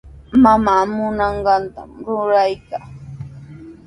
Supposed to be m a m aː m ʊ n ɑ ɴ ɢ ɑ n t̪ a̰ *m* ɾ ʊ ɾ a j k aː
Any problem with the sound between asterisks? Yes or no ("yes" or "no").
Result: no